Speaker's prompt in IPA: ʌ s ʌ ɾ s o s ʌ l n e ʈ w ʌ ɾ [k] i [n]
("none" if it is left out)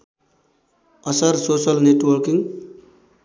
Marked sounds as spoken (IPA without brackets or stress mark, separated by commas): k, ŋ